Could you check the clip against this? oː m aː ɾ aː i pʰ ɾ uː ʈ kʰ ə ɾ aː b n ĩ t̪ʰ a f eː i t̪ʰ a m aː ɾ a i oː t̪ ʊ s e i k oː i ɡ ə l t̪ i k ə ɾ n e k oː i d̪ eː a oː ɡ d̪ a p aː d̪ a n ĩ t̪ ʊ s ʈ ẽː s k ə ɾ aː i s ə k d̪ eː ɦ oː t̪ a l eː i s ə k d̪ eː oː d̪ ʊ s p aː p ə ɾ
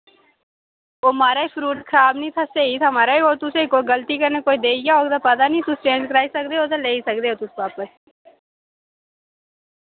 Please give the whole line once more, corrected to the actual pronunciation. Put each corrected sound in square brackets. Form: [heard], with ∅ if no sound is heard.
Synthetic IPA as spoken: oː m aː ɾ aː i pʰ ɾ uː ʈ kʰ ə ɾ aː b n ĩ t̪ʰ a [s] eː i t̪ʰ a m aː ɾ a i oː t̪ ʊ s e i k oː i ɡ ə l t̪ i k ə ɾ n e k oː i d̪ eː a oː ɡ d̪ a p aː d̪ a n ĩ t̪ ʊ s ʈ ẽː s k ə ɾ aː i s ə k d̪ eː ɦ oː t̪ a l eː i s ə k d̪ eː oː [t̪] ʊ s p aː p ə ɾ